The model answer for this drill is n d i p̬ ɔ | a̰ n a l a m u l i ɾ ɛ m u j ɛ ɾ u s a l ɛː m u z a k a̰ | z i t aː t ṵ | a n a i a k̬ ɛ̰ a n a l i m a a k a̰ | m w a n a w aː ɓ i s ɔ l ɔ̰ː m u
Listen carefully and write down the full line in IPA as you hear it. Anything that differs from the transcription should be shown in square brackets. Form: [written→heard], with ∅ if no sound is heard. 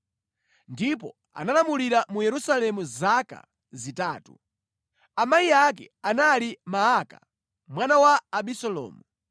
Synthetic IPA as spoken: n d i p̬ ɔ | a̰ n a l a m u l i ɾ [ɛ→a] m u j ɛ ɾ u s a l [ɛː→ɛ] m u z a k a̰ | z i t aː t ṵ | a [n→m] a i a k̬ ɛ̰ a n a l i m a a k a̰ | m w a n a w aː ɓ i s ɔ l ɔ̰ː m u